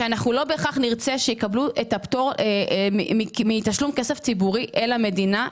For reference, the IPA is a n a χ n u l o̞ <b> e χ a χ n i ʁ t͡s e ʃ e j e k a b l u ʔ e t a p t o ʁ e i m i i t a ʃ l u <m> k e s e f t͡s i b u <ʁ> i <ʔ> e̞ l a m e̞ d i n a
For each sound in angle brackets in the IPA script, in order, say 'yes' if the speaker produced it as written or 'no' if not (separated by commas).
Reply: yes, yes, yes, yes